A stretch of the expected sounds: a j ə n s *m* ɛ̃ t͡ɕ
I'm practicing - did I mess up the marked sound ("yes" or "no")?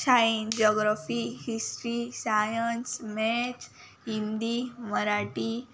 no